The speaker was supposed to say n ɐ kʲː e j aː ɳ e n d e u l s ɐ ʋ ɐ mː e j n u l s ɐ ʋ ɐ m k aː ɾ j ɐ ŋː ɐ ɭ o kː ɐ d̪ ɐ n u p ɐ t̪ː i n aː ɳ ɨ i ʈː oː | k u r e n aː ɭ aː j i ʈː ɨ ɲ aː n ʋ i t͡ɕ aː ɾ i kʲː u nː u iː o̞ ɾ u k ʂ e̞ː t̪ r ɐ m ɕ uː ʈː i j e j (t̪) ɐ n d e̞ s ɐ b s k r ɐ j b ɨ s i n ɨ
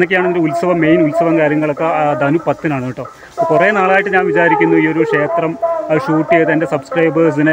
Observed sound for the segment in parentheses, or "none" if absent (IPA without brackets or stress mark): t̪